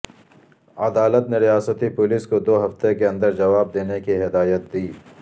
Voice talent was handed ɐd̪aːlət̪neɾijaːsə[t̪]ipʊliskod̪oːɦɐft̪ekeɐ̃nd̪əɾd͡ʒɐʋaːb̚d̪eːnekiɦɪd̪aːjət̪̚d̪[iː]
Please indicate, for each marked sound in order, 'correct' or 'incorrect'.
correct, correct

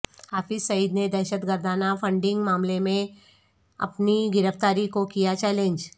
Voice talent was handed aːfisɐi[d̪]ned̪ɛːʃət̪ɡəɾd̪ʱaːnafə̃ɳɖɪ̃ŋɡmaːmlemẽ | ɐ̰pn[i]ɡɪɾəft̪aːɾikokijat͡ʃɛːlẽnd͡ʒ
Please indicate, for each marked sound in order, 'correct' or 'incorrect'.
correct, correct

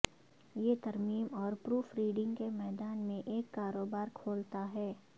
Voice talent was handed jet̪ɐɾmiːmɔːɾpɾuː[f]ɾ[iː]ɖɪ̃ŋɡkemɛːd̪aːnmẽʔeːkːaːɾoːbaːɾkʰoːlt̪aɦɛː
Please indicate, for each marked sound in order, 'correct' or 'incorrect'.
correct, correct

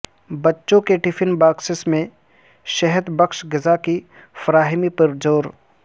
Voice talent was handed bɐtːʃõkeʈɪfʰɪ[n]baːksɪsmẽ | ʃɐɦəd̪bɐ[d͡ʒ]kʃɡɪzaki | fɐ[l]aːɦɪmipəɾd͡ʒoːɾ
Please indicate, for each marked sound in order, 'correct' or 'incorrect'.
correct, incorrect, incorrect

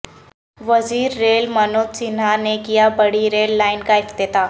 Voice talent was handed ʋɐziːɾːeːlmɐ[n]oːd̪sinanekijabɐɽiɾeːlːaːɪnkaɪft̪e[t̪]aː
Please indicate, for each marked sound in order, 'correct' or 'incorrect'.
correct, correct

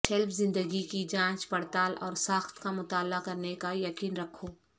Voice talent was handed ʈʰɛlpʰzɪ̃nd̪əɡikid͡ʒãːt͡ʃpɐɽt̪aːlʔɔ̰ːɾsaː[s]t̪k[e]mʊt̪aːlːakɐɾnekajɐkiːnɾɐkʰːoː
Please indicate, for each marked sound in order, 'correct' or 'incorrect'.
incorrect, incorrect

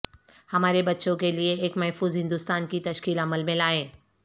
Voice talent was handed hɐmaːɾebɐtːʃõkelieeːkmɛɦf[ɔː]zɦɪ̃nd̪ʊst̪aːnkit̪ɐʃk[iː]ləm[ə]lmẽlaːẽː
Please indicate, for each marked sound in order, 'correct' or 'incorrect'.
incorrect, correct, correct

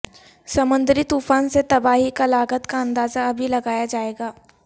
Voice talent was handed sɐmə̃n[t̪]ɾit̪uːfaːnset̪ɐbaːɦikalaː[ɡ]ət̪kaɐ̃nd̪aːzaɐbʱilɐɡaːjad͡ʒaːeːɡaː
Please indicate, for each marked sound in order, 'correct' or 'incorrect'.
incorrect, correct

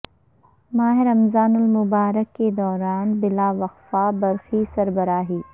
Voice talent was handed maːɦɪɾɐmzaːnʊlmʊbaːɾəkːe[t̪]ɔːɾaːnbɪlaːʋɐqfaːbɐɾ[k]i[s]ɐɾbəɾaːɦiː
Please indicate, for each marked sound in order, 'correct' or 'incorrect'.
incorrect, incorrect, correct

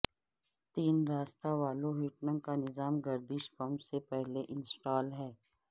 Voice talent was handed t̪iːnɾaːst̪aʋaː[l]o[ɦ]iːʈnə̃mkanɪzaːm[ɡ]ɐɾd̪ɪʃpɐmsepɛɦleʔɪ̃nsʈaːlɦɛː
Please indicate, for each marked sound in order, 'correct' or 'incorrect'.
correct, correct, correct

